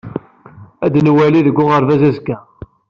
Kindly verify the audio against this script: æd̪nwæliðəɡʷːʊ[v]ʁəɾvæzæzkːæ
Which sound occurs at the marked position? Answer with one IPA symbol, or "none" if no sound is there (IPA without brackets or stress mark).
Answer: none